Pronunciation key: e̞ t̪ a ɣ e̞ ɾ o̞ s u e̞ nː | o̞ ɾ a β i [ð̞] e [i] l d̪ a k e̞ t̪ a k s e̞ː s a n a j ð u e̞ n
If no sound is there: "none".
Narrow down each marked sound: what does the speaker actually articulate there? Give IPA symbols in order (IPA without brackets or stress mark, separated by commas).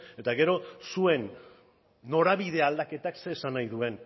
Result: ð̞, a